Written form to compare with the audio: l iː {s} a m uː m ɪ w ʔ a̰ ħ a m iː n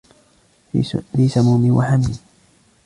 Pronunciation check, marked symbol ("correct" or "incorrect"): correct